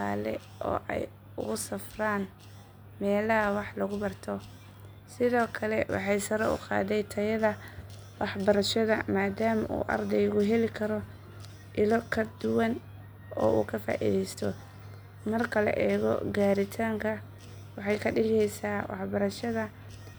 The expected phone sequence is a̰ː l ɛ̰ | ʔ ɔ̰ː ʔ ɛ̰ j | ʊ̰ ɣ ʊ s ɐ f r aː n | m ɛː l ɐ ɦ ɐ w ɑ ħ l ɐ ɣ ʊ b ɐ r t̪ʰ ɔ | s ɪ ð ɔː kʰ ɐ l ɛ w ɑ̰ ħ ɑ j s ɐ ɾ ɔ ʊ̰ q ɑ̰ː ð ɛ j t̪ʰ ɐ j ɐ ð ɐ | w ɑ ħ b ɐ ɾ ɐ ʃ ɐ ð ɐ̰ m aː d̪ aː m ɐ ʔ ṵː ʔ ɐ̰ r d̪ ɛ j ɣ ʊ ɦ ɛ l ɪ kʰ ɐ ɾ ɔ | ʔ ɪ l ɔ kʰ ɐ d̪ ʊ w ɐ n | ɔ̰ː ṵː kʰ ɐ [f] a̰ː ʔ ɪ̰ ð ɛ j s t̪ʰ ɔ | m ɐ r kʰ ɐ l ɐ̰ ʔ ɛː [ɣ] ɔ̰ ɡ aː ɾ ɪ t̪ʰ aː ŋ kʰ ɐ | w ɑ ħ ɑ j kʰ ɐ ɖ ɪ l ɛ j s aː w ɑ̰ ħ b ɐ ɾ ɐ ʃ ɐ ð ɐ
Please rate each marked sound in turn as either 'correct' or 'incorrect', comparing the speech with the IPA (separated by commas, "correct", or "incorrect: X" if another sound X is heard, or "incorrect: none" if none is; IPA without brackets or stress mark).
correct, correct